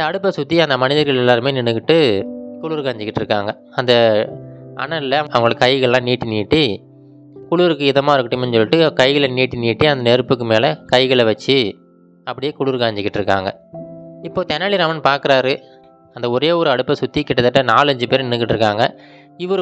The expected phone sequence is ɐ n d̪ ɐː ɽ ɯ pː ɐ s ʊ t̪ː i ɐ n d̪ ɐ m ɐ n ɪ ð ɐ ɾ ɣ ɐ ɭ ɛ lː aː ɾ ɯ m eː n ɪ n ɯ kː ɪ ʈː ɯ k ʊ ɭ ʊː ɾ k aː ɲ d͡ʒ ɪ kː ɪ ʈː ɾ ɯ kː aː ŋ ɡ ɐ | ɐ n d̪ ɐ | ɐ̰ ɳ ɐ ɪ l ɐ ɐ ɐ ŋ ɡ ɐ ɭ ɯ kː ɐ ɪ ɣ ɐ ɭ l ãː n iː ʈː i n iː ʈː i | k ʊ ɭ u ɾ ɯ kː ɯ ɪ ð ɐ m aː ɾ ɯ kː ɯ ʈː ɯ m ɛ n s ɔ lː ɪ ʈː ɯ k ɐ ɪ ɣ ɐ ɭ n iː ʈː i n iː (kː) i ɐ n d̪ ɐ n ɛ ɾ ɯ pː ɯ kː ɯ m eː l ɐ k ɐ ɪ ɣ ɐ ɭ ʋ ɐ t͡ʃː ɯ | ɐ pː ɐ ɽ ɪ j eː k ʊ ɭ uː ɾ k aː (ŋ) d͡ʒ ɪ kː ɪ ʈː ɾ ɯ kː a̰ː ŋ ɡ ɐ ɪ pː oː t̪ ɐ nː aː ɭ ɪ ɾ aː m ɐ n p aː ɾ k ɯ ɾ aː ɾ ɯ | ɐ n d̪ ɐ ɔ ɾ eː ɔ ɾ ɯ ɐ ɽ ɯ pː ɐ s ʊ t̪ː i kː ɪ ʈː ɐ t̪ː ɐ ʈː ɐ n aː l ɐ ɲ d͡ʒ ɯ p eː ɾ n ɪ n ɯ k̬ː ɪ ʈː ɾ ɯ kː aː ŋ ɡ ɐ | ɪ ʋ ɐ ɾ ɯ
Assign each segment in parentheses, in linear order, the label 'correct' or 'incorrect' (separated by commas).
incorrect, incorrect